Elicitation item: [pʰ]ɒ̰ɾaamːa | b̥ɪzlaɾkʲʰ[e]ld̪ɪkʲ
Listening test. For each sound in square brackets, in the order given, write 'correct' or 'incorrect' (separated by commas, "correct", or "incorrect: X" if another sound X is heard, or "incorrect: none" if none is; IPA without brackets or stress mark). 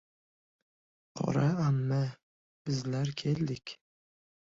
incorrect: qʰ, correct